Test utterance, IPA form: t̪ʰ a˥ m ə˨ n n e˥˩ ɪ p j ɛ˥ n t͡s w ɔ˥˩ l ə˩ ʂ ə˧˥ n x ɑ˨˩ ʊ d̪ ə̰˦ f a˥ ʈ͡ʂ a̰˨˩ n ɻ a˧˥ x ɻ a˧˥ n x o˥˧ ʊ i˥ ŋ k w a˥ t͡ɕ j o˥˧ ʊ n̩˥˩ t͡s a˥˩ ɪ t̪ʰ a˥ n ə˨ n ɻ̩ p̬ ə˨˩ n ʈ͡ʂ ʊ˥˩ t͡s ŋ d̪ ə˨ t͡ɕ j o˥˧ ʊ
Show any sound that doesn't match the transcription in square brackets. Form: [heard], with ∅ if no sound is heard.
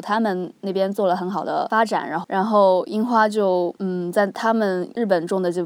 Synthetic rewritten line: t̪ʰ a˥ m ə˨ n n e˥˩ ɪ p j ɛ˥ n t͡s w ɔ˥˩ l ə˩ [x] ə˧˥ n x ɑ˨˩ ʊ d̪ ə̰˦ f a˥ ʈ͡ʂ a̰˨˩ n ɻ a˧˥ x ɻ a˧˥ n x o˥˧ ʊ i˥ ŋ [x] w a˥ t͡ɕ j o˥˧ ʊ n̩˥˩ t͡s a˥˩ ɪ t̪ʰ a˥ [m] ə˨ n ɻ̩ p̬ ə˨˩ n ʈ͡ʂ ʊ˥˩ [∅] ŋ d̪ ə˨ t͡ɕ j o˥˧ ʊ